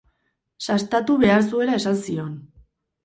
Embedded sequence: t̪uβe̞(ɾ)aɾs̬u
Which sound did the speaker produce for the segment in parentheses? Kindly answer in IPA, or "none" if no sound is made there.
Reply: none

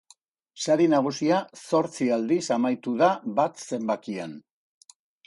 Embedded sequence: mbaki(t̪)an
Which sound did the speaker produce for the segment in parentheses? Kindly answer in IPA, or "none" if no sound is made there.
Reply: none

